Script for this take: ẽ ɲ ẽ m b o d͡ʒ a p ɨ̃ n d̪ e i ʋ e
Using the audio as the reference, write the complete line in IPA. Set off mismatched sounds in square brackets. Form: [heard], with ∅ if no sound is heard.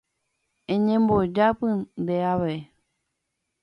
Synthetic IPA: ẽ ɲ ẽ m b o d͡ʒ a p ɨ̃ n d̪ e [a] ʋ e